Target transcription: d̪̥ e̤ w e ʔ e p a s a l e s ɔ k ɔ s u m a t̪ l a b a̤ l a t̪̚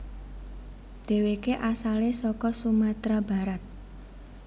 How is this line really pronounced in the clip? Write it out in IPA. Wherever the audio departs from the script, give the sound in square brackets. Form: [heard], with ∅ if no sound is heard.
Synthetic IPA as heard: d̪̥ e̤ w e [k] e [ʔ] a s a l e s ɔ k ɔ s u m a t̪ [ɾ] a b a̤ [ɾ] a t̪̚